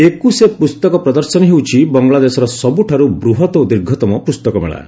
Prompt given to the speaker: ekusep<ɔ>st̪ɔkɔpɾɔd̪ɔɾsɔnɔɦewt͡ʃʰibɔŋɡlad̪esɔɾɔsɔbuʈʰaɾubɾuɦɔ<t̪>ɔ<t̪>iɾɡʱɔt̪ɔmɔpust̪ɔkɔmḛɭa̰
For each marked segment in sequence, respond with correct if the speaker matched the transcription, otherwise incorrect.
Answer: incorrect: u, correct, incorrect: d̪

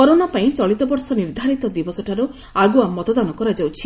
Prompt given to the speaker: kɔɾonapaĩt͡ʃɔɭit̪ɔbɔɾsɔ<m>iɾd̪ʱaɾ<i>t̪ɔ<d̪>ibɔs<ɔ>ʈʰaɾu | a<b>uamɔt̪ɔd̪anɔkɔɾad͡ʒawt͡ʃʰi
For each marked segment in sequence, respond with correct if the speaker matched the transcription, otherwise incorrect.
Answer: incorrect: n, correct, correct, correct, incorrect: ɡ

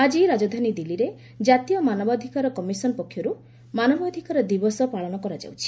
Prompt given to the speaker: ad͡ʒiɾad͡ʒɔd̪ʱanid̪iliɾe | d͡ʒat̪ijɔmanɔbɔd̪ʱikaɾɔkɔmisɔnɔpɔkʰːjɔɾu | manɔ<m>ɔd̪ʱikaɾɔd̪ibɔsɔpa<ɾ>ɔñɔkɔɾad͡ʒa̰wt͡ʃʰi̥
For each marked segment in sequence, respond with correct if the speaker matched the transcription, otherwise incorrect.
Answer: incorrect: b, incorrect: ɭ

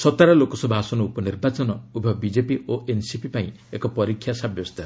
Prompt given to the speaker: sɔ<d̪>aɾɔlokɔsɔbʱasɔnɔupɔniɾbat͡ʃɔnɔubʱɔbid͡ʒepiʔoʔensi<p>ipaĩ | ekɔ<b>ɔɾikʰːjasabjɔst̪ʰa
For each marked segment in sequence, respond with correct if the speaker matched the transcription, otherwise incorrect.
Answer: incorrect: t̪, correct, incorrect: p

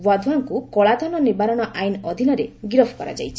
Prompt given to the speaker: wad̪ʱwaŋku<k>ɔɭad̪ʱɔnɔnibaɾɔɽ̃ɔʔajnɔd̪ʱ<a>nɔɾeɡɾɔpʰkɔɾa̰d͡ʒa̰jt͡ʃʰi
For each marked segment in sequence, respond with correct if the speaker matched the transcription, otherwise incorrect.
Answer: correct, incorrect: i

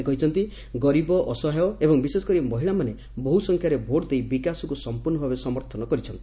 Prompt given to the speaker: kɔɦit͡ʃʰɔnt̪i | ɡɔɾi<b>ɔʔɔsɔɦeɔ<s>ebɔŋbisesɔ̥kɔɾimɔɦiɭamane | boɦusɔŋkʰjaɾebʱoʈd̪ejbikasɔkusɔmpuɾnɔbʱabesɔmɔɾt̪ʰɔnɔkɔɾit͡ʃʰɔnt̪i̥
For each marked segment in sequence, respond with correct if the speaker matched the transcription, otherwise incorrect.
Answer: correct, incorrect: none

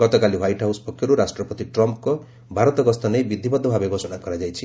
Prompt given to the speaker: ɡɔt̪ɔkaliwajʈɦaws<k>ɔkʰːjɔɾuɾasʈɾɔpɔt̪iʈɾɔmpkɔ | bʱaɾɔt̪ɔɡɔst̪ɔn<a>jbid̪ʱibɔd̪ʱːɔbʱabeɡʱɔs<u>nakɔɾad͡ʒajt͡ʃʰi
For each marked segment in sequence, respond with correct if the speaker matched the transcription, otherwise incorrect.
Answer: incorrect: p, incorrect: e, incorrect: ɔ

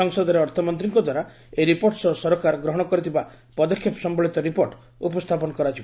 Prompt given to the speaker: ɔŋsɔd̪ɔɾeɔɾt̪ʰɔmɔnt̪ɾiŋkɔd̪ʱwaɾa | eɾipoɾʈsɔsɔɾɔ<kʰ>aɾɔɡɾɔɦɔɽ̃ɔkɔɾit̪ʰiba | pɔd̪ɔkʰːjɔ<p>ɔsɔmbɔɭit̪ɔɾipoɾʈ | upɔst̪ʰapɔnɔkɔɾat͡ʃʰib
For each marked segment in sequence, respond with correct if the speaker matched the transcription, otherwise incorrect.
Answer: incorrect: k, correct

